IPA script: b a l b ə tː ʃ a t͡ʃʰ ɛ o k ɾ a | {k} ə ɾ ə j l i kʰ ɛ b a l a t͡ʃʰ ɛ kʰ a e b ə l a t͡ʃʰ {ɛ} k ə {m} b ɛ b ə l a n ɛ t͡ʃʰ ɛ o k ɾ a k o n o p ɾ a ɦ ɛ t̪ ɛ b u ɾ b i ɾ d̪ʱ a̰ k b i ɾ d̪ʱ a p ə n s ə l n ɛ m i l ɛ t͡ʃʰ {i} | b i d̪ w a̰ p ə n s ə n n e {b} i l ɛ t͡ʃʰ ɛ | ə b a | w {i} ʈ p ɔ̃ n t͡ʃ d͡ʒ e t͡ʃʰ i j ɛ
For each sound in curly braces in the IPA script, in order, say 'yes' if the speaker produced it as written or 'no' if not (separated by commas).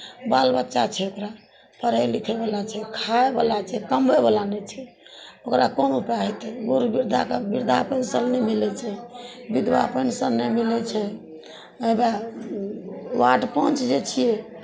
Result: no, yes, yes, no, no, no